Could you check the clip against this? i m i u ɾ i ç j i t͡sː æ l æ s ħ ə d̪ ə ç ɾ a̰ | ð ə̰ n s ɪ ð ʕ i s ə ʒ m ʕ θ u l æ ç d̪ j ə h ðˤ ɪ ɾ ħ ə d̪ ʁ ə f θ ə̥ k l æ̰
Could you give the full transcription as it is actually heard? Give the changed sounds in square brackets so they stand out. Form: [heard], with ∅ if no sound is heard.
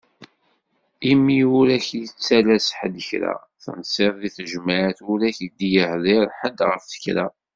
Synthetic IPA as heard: i m i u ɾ [æ] ç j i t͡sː æ l æ s ħ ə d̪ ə ç ɾ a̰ | [θ] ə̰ n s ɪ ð [ð] i [θ] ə ʒ m ʕ θ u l æ ç d̪ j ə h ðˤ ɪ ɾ ħ ə d̪ ʁ ə f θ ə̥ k [ɾ] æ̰